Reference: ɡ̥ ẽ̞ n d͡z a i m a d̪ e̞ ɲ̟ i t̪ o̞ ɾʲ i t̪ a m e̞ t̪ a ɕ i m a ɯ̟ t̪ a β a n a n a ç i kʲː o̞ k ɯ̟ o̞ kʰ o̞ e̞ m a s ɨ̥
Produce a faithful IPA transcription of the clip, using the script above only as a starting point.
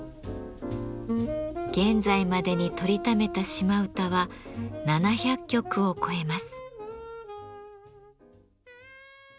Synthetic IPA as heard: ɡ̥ ẽ̞ n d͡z a i m a d̪ e̞ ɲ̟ i t̪ o̞ ɾʲ i t̪ a m e̞ t̪ a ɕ i m a ɯ̟ t̪ a β a n a n a ç a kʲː o̞ k ɯ̟ o̞ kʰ o̞ e̞ m a s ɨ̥